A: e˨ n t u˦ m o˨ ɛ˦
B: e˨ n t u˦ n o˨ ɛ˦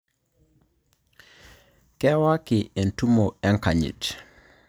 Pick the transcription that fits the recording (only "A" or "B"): A